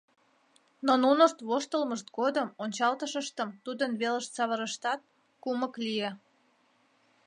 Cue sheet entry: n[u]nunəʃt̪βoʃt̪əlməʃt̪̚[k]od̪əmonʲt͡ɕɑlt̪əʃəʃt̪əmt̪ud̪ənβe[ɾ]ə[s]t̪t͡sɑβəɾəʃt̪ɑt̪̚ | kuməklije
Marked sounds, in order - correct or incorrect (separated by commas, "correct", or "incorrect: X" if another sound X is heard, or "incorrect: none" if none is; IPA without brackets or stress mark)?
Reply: incorrect: o, incorrect: ɡ, incorrect: l, incorrect: ʃ